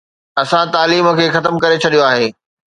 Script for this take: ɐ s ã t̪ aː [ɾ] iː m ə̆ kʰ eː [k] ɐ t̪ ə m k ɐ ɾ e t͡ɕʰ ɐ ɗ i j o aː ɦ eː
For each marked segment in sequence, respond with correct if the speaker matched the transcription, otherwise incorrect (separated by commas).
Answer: incorrect, incorrect